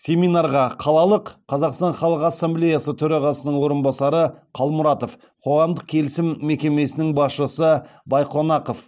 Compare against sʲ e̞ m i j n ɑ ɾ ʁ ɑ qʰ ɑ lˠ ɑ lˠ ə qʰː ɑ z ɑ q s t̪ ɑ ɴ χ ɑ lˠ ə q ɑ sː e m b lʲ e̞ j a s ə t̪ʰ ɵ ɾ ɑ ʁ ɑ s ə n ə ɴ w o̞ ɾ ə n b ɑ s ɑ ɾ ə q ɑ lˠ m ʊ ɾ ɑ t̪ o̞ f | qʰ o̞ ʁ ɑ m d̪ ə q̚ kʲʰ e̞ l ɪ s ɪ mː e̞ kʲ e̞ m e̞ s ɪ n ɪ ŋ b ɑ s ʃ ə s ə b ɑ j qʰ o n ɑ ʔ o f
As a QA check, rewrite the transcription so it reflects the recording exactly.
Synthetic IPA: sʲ e̞ m i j n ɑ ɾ ʁ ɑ qʰ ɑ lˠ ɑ lˠ ə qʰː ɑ z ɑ q s t̪ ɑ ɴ χ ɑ lˠ ə q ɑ sː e m b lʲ e̞ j a s ə t̪ʰ ɵ ɾ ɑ ʁ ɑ s ə n ə ɴ w o̞ ɾ ə n b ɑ s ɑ ɾ ə qʰ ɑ lˠ m ʊ ɾ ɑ t̪ o̞ f | qʰ o̞ ʁ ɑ m d̪ ə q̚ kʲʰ e̞ l ɪ s ɪ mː e̞ kʲ e̞ m e̞ s ɪ n ɪ ŋ b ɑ s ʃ ə s ə b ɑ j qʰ o n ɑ q o f